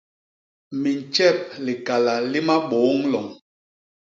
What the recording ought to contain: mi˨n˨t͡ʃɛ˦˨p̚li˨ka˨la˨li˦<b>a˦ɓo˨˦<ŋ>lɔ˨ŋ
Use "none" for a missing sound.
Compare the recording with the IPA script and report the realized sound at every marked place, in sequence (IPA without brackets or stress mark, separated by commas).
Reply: m, ŋ